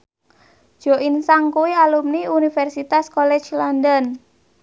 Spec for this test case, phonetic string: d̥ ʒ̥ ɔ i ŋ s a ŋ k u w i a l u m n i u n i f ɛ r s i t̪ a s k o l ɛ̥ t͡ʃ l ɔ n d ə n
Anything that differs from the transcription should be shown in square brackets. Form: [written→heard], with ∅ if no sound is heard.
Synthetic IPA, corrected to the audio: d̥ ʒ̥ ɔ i [ŋ→n] s a ŋ k u w i a l u m n i u n i f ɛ r s i t̪ a s k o l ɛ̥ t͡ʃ l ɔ n d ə n